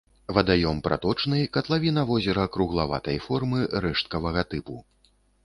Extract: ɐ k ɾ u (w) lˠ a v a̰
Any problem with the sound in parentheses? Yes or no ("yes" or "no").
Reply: yes